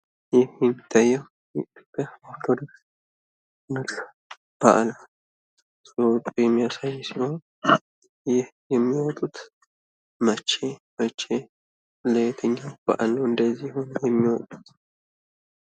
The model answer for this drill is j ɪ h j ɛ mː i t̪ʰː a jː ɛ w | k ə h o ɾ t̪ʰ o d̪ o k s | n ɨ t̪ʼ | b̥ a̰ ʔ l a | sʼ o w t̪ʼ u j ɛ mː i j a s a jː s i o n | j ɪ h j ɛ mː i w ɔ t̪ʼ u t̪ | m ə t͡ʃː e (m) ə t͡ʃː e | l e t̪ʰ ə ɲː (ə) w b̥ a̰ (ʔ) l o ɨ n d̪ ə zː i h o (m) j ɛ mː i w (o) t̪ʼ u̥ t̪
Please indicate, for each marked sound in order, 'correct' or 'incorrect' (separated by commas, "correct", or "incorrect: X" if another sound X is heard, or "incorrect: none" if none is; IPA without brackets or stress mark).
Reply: correct, incorrect: a, correct, incorrect: n, incorrect: ɔ